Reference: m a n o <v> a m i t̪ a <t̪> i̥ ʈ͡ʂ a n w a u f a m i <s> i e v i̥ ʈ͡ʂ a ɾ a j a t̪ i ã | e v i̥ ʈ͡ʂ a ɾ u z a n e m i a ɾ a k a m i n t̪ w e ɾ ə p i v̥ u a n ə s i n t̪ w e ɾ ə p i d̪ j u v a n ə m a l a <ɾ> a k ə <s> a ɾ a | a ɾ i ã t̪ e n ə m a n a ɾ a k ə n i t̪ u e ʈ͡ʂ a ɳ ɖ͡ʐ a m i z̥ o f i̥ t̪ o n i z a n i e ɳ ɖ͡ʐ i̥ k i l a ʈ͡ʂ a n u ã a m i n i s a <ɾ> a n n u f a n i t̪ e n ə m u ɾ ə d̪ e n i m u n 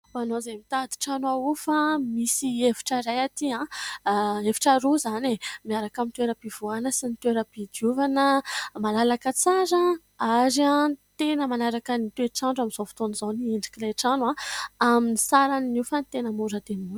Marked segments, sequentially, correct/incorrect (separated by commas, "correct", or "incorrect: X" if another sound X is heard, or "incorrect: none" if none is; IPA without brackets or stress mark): incorrect: z, incorrect: d̪, correct, incorrect: l, incorrect: t͡s, correct